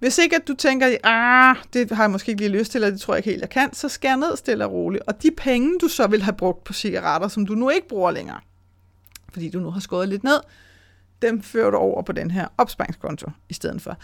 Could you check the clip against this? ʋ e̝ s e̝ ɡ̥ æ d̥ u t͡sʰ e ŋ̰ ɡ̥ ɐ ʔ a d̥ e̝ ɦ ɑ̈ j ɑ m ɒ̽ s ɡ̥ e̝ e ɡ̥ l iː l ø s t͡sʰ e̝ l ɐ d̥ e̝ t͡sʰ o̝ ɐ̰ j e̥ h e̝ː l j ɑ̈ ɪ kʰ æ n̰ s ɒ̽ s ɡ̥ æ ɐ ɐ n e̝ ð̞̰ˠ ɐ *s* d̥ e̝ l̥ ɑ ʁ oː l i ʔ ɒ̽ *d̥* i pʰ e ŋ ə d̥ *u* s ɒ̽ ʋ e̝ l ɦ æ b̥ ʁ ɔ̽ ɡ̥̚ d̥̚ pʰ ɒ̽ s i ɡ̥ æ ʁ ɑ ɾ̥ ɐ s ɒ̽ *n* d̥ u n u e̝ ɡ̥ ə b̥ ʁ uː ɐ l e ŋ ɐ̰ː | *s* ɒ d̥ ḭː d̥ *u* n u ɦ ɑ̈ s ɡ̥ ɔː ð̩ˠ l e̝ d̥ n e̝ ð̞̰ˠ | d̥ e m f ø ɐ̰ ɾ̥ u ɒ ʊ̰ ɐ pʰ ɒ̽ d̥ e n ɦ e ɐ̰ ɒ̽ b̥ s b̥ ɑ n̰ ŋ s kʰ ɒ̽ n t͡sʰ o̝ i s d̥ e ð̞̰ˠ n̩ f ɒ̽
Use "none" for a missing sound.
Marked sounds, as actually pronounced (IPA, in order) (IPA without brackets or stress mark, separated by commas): s, d̥, u, m, f, u